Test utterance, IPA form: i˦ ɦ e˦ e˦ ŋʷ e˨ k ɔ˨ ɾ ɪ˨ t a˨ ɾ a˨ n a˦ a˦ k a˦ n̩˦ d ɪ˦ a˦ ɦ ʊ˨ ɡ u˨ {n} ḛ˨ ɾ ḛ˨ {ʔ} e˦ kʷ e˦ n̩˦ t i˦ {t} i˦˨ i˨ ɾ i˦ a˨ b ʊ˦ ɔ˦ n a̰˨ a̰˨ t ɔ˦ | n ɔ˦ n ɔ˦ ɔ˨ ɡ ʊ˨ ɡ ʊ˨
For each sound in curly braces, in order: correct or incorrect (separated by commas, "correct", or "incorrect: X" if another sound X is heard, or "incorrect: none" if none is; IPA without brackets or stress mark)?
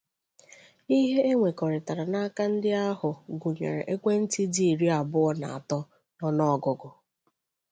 incorrect: ɲ, correct, incorrect: d